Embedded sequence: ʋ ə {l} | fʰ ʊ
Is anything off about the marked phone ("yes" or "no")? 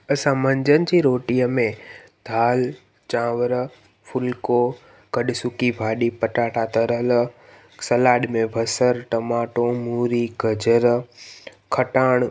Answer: yes